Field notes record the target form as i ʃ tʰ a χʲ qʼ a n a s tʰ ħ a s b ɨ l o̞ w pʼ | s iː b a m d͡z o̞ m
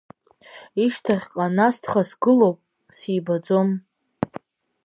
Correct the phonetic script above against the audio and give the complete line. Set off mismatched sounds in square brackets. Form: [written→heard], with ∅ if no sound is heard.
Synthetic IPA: i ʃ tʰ a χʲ qʼ a n a s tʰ [ħ→χ] a s [b→ɡ] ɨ l o̞ w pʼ | s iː b a [m→∅] d͡z o̞ m